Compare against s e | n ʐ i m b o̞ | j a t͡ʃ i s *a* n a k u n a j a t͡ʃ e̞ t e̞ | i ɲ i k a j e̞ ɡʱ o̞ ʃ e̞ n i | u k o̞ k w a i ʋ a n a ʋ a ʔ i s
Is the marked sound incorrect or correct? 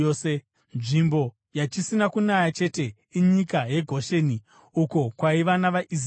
incorrect